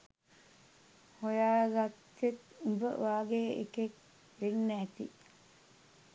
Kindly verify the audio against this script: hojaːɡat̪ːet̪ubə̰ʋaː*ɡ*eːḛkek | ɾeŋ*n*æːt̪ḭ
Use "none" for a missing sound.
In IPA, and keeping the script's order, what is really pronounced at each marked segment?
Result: ɡ, n

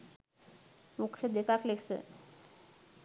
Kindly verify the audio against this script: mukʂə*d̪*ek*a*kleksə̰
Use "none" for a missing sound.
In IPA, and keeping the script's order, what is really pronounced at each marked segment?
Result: d̪, a

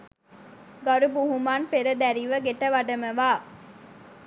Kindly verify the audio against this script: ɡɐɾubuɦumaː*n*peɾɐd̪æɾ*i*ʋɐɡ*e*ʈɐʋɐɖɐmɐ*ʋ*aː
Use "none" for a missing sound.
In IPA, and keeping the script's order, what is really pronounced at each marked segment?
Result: n, i, e, ʋ

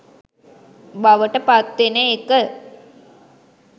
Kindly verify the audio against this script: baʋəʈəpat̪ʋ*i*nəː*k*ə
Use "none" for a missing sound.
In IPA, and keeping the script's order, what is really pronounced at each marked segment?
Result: e, k

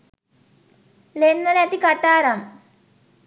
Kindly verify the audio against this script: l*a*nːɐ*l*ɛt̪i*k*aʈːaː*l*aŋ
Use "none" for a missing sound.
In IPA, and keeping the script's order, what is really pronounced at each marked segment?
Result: e, l, k, ɾ

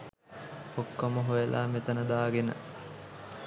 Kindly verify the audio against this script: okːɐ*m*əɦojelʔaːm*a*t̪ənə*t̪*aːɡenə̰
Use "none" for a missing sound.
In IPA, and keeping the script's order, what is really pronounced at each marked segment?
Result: m, e, d̪

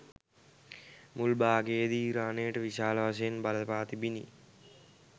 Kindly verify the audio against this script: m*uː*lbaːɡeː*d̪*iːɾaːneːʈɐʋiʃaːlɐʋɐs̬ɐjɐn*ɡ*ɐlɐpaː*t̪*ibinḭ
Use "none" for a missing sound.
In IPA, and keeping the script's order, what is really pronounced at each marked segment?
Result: u, d̪, b, t̪

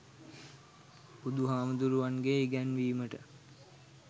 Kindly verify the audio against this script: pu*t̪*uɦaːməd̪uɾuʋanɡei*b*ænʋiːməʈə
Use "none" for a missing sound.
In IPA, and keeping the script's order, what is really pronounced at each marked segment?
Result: d̪, ɡ

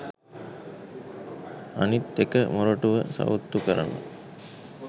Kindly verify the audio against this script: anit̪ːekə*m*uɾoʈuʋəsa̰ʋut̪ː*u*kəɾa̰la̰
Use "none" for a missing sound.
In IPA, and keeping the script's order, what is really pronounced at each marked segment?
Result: m, u

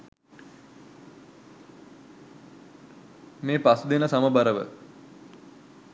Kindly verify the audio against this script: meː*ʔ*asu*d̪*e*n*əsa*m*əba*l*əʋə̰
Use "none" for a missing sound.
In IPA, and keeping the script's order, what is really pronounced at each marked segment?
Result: p, d̪, n, m, ɾ

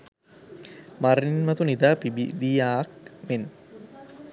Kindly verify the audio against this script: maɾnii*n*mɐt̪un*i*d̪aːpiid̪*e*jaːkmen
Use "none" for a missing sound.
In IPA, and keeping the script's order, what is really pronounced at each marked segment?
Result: n, i, i

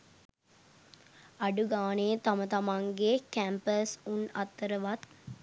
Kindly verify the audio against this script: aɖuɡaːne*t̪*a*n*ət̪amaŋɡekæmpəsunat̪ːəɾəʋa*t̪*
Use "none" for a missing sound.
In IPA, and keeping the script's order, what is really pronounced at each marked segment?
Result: t̪, m, t̪

